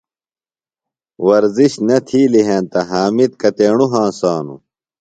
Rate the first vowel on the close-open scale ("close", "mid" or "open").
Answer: open